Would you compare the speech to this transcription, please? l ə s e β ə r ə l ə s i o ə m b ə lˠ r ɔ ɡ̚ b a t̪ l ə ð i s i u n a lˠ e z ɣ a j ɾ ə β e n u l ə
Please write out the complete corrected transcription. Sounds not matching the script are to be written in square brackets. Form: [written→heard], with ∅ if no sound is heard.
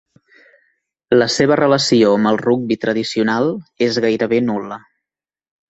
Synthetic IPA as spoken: l ə s e β ə r ə l ə s i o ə m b ə lˠ r [ɔ→u] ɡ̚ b [a→i] t̪ [l→ɾ] ə ð i s i u n a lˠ e z ɣ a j ɾ ə β e n u l ə